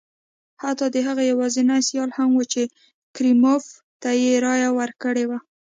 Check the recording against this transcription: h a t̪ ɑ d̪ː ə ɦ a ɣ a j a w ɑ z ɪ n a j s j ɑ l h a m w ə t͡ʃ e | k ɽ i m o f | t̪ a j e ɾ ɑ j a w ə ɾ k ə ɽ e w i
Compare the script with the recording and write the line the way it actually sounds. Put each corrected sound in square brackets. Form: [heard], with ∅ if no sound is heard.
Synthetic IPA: h a t̪ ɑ [d̪] ə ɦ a ɣ a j a w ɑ z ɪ n a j s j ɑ l h a m w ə t͡ʃ e | k [ɾ] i m o f | t̪ a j e ɾ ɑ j a w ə ɾ k ə ɽ e w [a]